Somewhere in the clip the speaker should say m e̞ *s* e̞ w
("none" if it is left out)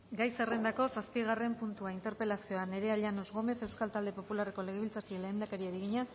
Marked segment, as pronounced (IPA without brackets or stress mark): θ